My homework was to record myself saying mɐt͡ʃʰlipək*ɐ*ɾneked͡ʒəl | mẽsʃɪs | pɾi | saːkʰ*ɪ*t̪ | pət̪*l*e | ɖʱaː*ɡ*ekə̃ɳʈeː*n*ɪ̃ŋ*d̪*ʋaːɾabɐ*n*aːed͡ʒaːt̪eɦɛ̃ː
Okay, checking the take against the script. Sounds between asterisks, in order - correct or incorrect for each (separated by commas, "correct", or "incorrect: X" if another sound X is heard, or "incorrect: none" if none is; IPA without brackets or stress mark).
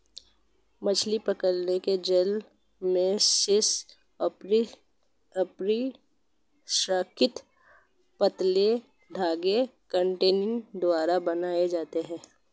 incorrect: ə, correct, correct, correct, correct, correct, correct